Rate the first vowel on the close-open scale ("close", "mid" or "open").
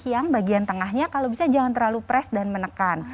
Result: open